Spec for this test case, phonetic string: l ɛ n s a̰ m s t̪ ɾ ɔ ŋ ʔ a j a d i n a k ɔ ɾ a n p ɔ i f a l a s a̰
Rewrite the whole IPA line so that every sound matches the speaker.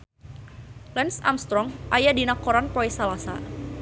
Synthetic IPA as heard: l ɛ n s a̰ m s t̪ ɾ ɔ ŋ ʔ a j a d i n a k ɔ ɾ a n p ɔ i s a l a s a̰